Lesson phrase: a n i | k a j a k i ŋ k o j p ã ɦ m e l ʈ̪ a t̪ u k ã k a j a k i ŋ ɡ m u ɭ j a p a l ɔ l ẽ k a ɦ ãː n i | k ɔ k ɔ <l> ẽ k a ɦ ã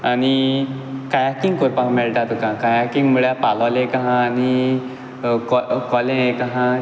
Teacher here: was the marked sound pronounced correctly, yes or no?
yes